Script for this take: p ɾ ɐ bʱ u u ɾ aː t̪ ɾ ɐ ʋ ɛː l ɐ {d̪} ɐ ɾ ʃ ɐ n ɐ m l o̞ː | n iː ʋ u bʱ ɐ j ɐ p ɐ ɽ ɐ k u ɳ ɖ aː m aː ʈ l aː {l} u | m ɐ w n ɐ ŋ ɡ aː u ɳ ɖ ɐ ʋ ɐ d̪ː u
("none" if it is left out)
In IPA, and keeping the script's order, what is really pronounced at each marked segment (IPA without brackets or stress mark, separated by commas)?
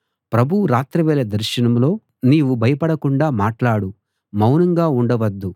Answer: d̪, ɽ